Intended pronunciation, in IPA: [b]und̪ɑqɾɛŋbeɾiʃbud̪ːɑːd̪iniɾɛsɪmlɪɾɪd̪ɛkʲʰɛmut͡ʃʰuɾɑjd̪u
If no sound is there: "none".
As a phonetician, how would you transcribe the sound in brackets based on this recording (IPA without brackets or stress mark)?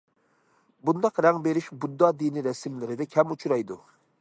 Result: b